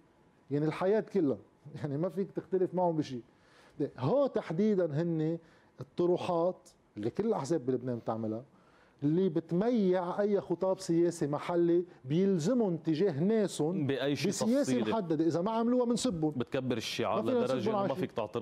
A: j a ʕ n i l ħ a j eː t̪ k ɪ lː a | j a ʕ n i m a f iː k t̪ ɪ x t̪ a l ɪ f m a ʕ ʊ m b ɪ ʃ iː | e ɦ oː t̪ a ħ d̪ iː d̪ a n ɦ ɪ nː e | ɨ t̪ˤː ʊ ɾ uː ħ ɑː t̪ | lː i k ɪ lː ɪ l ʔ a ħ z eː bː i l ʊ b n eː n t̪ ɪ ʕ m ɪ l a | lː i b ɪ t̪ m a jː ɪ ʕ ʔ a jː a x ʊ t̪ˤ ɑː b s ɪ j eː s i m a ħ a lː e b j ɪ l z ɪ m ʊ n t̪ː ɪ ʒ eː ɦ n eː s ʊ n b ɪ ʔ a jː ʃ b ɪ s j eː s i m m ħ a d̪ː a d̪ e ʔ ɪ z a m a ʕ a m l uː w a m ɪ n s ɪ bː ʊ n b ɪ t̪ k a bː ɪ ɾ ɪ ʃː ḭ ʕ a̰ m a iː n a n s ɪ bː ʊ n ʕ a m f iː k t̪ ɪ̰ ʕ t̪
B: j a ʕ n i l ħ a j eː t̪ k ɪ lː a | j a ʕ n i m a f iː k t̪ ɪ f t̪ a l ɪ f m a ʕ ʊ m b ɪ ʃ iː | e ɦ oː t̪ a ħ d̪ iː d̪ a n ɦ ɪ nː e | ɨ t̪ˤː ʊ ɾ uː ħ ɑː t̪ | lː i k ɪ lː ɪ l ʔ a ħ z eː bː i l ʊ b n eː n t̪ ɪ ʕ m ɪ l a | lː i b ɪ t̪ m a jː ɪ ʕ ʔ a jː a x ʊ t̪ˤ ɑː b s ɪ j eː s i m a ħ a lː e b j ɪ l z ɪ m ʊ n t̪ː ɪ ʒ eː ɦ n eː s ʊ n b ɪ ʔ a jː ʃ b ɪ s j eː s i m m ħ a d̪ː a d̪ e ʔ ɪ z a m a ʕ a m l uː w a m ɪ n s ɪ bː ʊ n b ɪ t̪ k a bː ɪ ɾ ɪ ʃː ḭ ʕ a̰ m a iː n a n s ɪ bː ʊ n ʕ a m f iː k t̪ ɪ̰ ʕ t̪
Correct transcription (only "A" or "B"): A